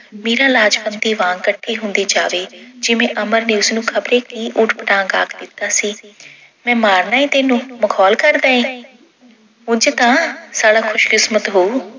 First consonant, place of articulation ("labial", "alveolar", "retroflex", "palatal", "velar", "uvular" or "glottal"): labial